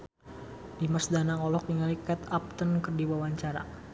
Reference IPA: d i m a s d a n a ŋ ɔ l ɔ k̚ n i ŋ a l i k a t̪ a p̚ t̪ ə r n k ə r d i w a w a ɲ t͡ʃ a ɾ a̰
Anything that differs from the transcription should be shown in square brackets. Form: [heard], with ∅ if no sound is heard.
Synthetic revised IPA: d i m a s d a n a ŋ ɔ l ɔ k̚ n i ŋ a l i k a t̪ a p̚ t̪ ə [∅] n k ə r d i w a w a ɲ t͡ʃ a ɾ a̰